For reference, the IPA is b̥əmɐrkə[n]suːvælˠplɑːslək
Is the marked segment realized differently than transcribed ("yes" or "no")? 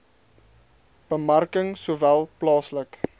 yes